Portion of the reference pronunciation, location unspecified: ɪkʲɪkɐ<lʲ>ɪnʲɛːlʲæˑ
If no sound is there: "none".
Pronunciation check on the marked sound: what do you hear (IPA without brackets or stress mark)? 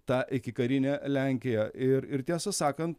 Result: ɾʲ